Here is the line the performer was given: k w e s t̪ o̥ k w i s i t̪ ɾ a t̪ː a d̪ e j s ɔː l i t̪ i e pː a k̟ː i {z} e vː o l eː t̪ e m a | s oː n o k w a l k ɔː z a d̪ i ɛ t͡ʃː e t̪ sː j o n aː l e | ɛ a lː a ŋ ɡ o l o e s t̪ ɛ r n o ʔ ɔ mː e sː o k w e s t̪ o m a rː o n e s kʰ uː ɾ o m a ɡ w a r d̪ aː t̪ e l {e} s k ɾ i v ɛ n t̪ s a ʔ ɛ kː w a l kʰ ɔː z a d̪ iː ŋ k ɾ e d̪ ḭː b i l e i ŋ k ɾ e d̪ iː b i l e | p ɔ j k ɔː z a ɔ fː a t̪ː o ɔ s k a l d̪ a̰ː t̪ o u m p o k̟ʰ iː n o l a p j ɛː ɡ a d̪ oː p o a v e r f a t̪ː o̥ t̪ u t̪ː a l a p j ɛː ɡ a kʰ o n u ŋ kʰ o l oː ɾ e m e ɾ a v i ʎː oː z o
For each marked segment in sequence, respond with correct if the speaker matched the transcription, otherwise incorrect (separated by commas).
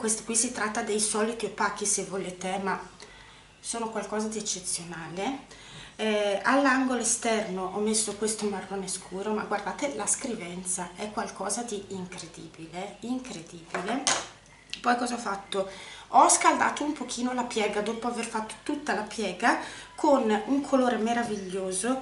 incorrect, incorrect